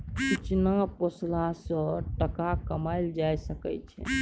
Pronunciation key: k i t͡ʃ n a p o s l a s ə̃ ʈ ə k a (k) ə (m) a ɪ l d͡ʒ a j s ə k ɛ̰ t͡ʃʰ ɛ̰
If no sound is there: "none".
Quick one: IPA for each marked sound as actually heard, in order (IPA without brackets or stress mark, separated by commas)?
k, m